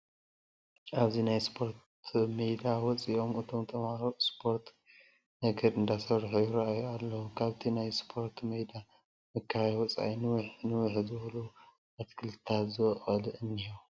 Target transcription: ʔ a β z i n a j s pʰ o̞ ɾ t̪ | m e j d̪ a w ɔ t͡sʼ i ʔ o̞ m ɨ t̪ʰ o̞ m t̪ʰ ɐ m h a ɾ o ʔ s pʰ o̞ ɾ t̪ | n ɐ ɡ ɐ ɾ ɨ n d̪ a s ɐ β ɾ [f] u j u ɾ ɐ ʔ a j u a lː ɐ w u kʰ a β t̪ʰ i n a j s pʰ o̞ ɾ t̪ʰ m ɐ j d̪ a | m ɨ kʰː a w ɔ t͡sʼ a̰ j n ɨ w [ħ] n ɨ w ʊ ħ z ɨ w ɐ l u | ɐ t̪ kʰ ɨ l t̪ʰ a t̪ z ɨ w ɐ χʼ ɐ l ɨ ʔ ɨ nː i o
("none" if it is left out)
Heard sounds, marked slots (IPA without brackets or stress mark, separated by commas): ħ, ħ